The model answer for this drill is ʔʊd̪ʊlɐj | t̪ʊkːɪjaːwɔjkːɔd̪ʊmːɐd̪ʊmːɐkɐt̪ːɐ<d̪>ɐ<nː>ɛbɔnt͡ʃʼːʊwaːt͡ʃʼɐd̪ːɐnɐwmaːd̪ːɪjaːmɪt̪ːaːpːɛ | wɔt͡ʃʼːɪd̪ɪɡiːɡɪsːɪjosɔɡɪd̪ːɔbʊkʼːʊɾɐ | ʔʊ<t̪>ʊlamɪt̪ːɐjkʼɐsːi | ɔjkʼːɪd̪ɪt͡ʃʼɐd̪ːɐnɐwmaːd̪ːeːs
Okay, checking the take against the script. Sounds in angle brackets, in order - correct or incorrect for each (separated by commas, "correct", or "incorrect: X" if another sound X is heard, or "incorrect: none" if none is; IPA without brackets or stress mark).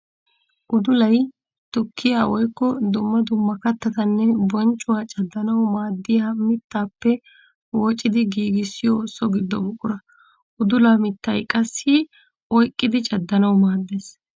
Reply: incorrect: t̪, correct, incorrect: d̪